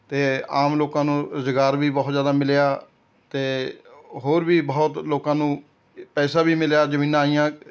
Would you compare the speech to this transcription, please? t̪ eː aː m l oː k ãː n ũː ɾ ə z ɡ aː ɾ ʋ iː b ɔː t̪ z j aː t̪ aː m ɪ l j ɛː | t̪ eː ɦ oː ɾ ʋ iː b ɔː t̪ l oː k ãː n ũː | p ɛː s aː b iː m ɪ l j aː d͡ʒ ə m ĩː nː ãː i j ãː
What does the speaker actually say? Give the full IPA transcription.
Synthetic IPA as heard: t̪ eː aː m l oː k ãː n ũː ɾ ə z ɡ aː ɾ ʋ iː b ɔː t̪ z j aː d̪ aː m ɪ l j aː | t̪ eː ɦ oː ɾ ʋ iː b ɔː t̪ l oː k ãː n ũː | p ɛː s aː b iː m ɪ l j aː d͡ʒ ə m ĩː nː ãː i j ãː